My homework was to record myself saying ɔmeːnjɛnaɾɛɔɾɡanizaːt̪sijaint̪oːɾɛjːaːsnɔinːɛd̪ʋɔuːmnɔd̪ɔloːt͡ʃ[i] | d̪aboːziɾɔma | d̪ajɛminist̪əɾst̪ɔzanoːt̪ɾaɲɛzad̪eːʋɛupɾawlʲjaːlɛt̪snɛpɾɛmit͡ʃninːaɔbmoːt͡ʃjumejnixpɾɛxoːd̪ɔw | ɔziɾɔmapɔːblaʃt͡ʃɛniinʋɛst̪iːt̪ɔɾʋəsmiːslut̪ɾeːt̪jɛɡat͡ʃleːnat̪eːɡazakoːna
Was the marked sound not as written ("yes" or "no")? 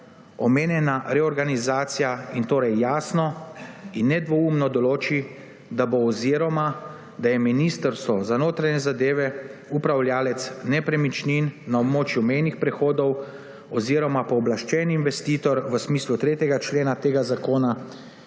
no